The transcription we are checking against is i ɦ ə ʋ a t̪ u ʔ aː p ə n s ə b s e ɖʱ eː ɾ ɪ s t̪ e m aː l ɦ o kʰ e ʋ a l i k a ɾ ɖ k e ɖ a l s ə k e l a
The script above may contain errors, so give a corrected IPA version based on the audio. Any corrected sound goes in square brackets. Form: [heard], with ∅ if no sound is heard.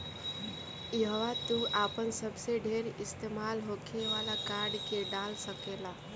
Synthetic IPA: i ɦ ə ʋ a t̪ u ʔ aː p ə n s ə b s e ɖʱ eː ɾ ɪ s t̪ e m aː l ɦ o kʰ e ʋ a l [a] k a ɾ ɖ k e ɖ a l s ə k e l a

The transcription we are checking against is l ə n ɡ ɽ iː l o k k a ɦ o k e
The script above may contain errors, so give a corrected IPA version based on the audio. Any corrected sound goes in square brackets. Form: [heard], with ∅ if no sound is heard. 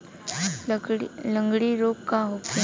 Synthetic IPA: l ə [ŋ] ɡ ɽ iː [ɾ] o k k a ɦ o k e

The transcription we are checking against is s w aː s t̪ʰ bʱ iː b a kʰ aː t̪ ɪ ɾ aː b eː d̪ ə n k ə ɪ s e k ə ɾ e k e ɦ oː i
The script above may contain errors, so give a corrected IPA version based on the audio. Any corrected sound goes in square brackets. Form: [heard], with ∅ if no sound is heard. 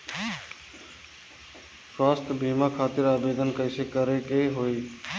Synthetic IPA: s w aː s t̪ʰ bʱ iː [m] a kʰ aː t̪ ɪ ɾ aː b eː d̪ ə n k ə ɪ s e k ə ɾ e k e ɦ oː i

